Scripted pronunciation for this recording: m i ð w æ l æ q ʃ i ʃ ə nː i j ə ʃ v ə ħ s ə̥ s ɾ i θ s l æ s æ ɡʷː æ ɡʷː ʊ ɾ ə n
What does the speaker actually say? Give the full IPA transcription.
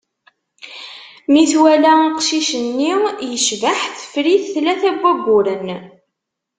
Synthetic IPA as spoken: m i θ w æ l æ q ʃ i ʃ ə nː i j ə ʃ v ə ħ θ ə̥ f ɾ i θ θ l æ θ æ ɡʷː æ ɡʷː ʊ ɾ ə n